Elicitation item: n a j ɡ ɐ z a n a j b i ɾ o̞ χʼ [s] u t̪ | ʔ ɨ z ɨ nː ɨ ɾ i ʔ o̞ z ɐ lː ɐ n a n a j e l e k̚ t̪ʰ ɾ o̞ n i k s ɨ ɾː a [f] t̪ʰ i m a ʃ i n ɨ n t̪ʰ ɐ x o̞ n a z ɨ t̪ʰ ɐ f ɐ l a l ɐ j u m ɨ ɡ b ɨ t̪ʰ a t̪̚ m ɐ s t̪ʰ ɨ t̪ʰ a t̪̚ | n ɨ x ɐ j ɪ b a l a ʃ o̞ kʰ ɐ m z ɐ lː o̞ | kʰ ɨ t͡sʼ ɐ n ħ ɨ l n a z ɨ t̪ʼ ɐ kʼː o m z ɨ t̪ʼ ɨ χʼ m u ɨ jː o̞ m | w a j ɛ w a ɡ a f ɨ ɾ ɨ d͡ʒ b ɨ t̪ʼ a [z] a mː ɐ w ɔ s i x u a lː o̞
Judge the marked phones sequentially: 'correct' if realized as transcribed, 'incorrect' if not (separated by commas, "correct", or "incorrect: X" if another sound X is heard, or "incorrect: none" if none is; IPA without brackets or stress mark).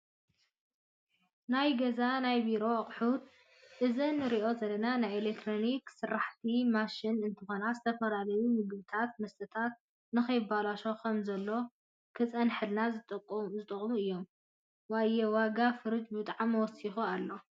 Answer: incorrect: ħ, incorrect: ħ, incorrect: ʕ